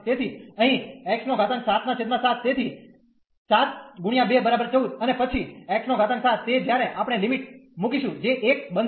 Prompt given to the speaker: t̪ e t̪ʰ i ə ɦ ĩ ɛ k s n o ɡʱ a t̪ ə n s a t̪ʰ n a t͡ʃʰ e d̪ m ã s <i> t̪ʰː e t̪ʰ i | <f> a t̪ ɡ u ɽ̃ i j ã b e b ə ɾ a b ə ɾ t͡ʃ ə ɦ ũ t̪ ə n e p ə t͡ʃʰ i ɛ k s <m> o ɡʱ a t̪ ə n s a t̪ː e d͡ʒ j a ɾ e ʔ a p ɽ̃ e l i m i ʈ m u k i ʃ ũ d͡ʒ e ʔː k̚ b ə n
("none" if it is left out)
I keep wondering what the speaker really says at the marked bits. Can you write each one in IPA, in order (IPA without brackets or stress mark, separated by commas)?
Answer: a, s, n